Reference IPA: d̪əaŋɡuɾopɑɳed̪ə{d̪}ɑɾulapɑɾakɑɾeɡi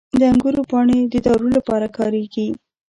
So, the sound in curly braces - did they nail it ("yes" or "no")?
yes